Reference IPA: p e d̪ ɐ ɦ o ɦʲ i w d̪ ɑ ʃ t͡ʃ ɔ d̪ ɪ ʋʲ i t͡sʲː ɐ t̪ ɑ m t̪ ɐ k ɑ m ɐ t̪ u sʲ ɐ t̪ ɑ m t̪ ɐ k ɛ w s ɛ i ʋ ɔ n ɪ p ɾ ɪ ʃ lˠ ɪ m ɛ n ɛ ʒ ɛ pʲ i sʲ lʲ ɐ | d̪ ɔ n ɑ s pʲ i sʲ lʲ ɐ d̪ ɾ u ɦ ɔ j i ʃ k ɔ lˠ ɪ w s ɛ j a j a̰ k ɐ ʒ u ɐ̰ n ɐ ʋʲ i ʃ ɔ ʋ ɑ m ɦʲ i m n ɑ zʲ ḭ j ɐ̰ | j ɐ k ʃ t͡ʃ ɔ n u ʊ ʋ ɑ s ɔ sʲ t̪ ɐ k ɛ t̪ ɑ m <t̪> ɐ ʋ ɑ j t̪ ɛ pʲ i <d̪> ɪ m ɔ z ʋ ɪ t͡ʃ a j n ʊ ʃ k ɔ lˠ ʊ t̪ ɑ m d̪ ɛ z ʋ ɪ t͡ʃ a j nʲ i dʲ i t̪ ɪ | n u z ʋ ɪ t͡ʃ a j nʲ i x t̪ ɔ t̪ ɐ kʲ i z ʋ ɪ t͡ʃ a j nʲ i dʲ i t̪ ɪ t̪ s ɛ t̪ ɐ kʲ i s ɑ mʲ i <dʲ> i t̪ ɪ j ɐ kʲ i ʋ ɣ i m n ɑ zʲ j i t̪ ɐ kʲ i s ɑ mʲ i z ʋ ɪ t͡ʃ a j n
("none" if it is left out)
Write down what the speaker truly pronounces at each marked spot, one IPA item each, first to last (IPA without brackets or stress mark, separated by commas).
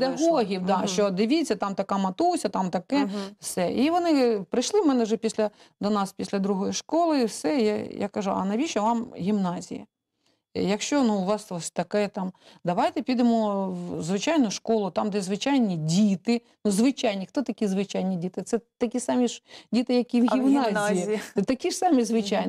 d̪, d̪, dʲ